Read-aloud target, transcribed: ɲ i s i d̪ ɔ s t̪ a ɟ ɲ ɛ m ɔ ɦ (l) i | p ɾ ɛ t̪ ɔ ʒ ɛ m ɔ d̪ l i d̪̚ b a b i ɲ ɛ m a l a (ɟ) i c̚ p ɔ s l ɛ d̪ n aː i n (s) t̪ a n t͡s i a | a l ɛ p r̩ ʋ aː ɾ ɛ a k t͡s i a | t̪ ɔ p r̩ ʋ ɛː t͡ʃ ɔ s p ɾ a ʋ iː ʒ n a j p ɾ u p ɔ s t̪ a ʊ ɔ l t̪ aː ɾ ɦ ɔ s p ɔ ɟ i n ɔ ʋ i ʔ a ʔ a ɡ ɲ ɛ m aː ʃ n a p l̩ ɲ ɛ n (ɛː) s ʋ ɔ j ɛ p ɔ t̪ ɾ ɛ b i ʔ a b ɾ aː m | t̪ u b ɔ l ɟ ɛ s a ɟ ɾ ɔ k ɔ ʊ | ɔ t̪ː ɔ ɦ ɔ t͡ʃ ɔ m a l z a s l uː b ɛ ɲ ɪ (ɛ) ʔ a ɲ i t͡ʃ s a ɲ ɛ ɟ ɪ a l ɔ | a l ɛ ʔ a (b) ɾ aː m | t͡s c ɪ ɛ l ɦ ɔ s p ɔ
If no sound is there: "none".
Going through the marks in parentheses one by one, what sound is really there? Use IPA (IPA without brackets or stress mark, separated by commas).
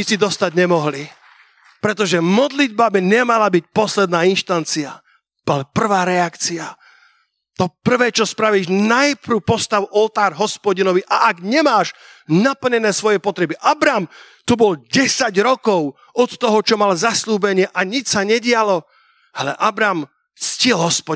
l, b, ʃ, ɛː, ɛ, b